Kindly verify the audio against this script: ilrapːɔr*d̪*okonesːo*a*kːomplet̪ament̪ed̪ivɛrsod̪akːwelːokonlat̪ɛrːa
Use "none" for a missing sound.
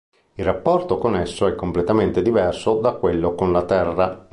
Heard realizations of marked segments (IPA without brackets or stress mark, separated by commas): t̪, ɛ